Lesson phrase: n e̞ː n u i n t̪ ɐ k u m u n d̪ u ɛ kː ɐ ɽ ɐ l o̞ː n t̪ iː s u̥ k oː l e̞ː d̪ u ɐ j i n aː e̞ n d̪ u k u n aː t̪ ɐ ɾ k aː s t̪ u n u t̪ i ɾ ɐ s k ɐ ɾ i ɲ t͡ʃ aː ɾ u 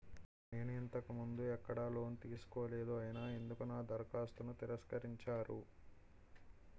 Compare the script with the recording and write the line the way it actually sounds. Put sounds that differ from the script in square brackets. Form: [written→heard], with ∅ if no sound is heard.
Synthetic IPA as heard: n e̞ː n u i n t̪ ɐ k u m u n d̪ u ɛ kː ɐ ɽ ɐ l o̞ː n t̪ iː s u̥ k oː l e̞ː d̪ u ɐ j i n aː e̞ n d̪ u k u n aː [t̪→d̪] ɐ ɾ k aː s t̪ u n u t̪ i ɾ ɐ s k ɐ ɾ i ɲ t͡ʃ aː ɾ u